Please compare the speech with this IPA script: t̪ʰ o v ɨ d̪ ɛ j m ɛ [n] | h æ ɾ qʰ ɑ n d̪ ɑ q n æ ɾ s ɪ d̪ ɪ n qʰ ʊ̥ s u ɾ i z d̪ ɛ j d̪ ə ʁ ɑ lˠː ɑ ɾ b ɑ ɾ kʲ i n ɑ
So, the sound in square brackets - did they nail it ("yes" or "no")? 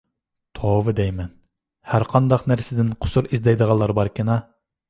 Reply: yes